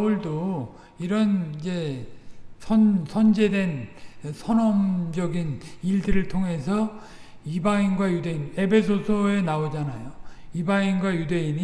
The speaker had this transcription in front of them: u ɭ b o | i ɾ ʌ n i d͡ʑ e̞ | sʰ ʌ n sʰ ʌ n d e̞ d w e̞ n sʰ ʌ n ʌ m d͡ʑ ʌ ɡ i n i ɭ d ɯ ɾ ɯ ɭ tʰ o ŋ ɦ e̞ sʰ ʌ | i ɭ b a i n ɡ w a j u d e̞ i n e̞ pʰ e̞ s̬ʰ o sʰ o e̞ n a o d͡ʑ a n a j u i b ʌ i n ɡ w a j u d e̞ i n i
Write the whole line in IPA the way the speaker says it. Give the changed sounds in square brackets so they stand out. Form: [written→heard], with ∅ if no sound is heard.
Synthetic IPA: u ɭ [b→d] o | i ɾ ʌ n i d͡ʑ e̞ | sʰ ʌ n sʰ ʌ n [d→d͡ʑ] e̞ d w e̞ n sʰ ʌ n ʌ m d͡ʑ ʌ ɡ i n i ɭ d ɯ ɾ ɯ ɭ tʰ o ŋ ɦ e̞ sʰ ʌ | i [ɭ→∅] b a i n ɡ w a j u d e̞ i n e̞ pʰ e̞ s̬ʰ o sʰ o e̞ n a o d͡ʑ a n a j [u→o] i b [ʌ→a] i n ɡ w a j u d e̞ i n i

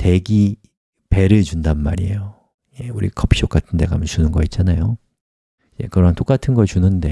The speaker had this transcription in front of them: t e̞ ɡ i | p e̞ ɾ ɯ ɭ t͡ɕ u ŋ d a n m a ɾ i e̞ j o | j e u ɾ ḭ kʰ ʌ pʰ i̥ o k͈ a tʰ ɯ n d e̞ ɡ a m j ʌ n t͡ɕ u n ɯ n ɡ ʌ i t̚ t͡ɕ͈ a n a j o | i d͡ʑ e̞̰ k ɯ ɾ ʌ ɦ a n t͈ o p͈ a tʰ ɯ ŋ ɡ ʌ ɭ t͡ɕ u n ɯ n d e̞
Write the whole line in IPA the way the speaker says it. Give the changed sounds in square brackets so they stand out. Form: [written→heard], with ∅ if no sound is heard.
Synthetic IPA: t e̞ ɡ i | p e̞ ɾ ɯ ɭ t͡ɕ u [ŋ→n] d a n m a ɾ i e̞ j o | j e u ɾ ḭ kʰ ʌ pʰ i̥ o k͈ a tʰ ɯ n d e̞ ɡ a m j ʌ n t͡ɕ u n ɯ n ɡ ʌ i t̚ t͡ɕ͈ a n a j o | i d͡ʑ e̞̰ k ɯ ɾ ʌ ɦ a n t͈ o [p͈→k͈] a tʰ ɯ [ŋ→n] ɡ ʌ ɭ t͡ɕ u n ɯ n d e̞

